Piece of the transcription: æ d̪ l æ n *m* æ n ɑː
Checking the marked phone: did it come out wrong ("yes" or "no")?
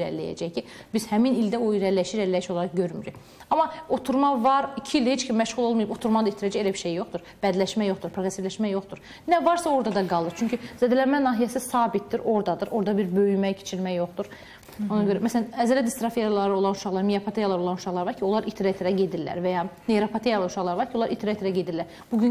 no